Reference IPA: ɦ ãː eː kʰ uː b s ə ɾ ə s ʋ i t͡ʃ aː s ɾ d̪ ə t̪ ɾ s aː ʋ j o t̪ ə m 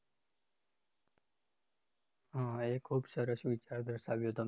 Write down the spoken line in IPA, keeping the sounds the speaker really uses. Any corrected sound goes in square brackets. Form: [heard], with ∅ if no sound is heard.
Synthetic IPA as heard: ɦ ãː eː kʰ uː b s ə ɾ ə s ʋ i t͡ʃ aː [∅] ɾ d̪ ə [∅] ɾ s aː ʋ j o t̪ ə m